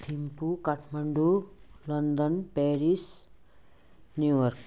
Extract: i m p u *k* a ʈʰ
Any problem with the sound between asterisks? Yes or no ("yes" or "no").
no